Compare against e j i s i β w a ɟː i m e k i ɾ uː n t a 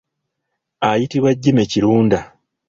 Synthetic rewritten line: a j i t i β w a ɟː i m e c i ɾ uː n d a